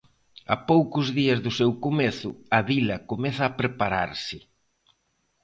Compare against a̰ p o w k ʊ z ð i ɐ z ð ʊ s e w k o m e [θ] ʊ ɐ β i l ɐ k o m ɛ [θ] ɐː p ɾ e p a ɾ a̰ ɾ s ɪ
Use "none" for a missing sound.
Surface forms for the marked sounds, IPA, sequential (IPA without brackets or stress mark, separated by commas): θ, θ